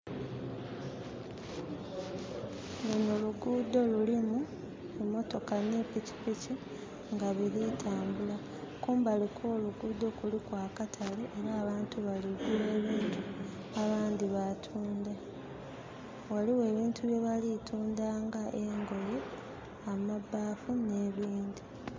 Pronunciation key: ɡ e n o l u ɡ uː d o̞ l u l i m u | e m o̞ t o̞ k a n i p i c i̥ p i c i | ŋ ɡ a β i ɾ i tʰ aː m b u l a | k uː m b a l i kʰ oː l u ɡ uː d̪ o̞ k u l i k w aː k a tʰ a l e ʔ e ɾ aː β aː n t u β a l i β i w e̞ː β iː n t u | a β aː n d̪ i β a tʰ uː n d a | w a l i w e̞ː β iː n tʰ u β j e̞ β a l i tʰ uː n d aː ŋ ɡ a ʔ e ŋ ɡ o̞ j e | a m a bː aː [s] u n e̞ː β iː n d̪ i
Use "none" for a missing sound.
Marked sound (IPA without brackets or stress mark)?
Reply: f